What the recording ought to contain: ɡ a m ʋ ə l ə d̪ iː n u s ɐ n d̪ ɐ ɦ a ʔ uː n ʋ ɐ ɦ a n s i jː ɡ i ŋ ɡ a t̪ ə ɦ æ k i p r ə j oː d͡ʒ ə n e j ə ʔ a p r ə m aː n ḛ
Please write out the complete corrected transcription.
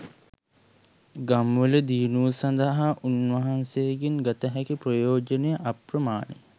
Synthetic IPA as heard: ɡ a m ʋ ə l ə d̪ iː n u s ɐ n d̪ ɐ ɦ a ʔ u n ʋ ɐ ɦ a n s e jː ɡ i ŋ ɡ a t̪ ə ɦ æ k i p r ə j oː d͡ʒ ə n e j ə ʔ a p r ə m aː n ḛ